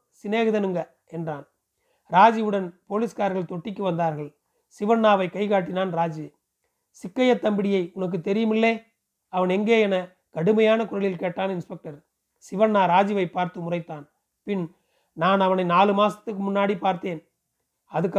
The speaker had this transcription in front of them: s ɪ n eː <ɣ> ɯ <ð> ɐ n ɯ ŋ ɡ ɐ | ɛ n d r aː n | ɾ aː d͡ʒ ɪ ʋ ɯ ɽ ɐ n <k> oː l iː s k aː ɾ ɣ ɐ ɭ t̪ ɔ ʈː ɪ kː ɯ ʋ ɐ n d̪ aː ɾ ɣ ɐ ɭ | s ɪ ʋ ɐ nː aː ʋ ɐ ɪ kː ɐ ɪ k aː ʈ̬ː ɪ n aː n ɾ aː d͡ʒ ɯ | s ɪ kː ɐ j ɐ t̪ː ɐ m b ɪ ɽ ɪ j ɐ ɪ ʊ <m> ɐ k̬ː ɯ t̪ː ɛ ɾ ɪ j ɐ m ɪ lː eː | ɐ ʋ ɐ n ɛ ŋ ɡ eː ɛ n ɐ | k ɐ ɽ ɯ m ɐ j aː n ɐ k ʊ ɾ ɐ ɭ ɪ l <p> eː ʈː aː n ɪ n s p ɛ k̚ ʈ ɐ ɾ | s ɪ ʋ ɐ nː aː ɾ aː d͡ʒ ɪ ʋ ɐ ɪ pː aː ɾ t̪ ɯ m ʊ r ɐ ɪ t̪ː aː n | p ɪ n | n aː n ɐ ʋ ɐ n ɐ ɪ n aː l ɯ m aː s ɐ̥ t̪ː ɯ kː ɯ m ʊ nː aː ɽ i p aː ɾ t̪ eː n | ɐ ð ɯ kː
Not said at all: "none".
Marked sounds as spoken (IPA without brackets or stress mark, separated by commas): ɣ, ð, p, n, k